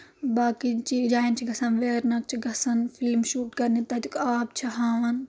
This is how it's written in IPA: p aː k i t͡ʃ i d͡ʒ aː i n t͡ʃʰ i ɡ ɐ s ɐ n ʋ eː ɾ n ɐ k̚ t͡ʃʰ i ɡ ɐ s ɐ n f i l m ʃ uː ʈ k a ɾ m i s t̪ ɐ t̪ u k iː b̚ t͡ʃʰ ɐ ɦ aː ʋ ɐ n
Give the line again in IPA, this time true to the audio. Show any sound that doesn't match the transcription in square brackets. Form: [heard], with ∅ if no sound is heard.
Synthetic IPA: [b] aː k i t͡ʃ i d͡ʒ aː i n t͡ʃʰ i ɡ ɐ s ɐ n ʋ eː ɾ n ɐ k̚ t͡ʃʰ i ɡ ɐ s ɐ n f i l m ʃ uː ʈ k [ɐ] ɾ [n] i [∅] t̪ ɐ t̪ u k [aː] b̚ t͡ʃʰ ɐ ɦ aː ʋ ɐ n

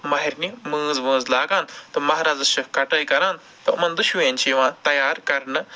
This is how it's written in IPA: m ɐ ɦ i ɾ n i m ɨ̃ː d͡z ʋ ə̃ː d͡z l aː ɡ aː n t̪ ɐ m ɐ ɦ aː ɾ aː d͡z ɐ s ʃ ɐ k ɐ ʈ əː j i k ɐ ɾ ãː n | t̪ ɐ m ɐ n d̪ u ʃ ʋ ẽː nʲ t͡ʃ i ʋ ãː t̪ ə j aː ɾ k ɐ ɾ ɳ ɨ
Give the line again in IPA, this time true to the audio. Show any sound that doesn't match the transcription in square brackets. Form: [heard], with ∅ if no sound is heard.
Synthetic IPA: m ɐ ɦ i ɾ n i m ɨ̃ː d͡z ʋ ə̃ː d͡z l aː ɡ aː n t̪ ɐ m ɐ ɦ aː ɾ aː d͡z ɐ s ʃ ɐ k ɐ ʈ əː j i k ɐ ɾ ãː n | t̪ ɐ m ɐ n d̪ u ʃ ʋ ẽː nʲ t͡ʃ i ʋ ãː t̪ [ɐ] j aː ɾ k ɐ ɾ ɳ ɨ

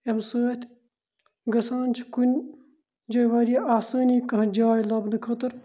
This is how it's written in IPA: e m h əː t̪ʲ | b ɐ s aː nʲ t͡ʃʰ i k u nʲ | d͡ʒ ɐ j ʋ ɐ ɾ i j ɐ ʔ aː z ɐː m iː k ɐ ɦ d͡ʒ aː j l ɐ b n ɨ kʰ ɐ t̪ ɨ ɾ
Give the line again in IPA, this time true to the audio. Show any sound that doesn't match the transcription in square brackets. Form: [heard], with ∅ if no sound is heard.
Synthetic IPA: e m [s] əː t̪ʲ | [ɡ] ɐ s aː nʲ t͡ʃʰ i k u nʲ | d͡ʒ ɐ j ʋ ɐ ɾ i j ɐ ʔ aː [s] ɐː [n] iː k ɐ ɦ d͡ʒ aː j l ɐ b n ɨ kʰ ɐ t̪ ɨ ɾ

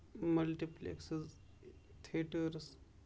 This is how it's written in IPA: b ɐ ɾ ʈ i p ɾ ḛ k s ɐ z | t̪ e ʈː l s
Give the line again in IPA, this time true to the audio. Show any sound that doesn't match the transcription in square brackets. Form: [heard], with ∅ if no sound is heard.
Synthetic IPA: [m] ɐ [l] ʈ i p [l] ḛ k s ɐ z | [t̪ʰ] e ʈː [ɾ] s

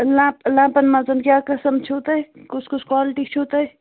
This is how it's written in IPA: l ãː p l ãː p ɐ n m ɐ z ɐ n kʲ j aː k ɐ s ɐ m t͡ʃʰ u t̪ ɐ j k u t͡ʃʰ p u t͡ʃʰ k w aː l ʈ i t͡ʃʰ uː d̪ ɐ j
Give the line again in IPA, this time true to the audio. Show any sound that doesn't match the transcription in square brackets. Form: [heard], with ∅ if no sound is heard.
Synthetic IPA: l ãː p l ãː p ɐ n m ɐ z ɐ n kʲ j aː k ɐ s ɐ m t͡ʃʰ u t̪ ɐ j k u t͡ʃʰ [k] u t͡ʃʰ k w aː l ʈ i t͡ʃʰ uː [t̪] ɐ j

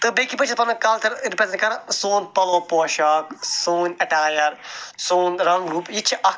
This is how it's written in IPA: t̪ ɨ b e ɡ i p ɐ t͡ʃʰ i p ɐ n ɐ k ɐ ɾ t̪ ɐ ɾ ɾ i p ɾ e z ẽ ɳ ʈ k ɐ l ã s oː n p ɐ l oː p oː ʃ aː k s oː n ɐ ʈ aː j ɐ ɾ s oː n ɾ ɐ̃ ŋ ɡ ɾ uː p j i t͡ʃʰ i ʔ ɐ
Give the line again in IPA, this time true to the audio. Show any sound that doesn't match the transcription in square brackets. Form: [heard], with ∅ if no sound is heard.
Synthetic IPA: t̪ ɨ b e [k] i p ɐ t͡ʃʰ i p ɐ n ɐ k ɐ [l] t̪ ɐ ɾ ɾ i p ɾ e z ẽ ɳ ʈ k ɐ [ɾ] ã s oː n p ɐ l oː p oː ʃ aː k s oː n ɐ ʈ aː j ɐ ɾ s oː n ɾ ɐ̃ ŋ ɡ ɾ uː p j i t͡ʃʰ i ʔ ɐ

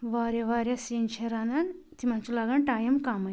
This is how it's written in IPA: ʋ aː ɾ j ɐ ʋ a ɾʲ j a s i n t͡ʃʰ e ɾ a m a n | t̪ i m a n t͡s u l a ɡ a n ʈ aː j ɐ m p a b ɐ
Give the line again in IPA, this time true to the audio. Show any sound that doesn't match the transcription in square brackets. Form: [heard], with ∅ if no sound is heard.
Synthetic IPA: ʋ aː ɾ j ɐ ʋ a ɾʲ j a s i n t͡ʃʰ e ɾ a [n] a n | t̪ i m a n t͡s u l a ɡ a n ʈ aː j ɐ m [k] a [m] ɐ

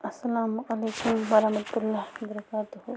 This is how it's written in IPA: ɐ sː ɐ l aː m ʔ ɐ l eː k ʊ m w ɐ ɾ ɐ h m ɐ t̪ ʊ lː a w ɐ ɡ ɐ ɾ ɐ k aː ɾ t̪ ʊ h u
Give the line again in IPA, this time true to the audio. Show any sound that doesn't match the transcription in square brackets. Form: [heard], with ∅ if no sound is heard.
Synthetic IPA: ɐ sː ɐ l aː m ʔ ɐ l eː k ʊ m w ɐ ɾ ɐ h m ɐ t̪ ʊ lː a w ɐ [b] ɐ ɾ ɐ k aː [∅] t̪ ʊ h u

